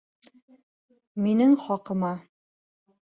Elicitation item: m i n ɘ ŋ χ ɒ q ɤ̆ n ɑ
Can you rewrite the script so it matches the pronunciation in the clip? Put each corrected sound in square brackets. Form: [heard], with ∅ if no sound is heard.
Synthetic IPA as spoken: m i n ɘ ŋ χ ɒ q ɤ̆ [m] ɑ